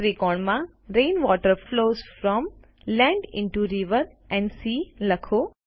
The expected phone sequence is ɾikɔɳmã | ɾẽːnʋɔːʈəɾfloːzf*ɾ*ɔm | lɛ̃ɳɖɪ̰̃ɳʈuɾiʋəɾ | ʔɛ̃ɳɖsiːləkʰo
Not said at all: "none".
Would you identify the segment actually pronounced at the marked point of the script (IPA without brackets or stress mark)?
ɾ